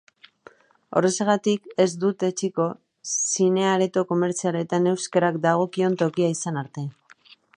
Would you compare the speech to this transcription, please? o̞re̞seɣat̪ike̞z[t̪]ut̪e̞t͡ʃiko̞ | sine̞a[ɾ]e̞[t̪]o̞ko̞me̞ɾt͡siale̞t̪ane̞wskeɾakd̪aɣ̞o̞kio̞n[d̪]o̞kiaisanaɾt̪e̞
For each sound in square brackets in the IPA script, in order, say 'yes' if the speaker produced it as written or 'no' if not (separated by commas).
no, yes, yes, no